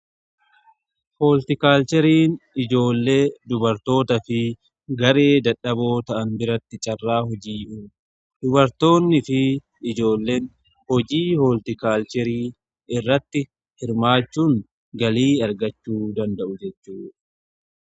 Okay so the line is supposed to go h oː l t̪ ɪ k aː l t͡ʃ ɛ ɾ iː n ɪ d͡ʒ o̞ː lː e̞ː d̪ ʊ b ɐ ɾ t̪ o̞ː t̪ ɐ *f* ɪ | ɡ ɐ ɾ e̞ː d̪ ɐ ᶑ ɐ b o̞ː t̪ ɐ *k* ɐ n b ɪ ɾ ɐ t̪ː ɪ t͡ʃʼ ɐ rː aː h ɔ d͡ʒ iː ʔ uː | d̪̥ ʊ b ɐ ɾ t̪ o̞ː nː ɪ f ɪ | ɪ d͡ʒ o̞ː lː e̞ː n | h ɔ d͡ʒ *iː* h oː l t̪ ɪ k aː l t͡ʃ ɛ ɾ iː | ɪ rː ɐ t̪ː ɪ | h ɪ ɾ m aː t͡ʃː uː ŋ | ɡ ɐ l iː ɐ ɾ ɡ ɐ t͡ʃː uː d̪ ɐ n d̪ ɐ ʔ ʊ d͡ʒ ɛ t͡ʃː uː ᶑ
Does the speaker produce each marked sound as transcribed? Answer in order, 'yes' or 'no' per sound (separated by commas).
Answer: yes, no, yes